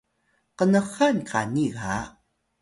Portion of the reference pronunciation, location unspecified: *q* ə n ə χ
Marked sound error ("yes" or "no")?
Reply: no